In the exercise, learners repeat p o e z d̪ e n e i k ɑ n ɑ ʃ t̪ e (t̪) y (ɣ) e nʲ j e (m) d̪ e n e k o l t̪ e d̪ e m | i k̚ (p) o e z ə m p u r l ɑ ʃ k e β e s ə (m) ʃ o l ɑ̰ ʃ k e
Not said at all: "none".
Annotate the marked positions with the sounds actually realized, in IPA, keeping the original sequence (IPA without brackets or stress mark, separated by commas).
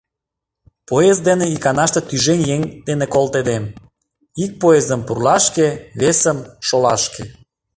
t̪, ʒ, ŋ, p, m